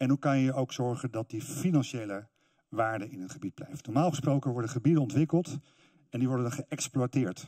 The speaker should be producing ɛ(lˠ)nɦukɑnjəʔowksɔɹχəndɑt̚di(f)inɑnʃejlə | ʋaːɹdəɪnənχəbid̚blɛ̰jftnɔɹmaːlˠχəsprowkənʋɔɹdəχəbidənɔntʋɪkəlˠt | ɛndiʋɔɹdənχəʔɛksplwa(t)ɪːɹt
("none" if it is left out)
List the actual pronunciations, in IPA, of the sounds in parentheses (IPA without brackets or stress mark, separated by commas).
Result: none, f, t